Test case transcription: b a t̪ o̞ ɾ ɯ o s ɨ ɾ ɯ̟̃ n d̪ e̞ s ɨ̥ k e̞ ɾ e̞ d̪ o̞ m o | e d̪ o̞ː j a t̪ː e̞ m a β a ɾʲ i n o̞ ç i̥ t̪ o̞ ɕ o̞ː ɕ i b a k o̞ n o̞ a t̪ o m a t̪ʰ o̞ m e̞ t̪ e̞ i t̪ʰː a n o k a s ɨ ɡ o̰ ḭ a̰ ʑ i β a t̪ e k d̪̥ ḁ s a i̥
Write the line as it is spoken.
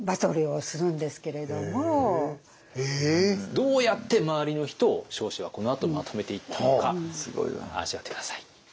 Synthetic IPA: b a t̪ o̞ ɾ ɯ o s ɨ ɾ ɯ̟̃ n d̪ e̞ s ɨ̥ k e̞ ɾ e̞ d̪ o̞ m o | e d̪ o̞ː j a t̪ː e̞ m a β a ɾʲ i n o̞ ç i̥ t̪ o̞ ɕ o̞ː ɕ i β a k o̞ n o̞ a t̪ o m a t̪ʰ o̞ m e̞ t̪ e̞ i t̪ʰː a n o k a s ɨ ɡ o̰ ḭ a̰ ʑ i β a t̪ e k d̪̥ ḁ s a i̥